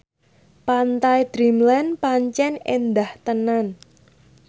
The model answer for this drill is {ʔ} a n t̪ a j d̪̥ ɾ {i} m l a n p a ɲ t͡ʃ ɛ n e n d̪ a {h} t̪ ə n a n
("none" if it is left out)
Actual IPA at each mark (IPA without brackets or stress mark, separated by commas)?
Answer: p, i, h